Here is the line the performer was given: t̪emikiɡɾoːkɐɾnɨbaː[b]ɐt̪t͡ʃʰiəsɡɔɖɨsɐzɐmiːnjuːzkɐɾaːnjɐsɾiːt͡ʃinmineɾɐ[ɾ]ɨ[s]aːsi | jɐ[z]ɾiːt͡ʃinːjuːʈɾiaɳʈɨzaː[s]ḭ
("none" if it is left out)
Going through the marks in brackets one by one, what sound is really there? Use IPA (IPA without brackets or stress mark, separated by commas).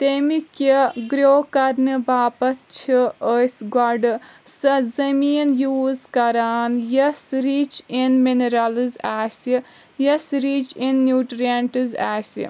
p, l, z, s, s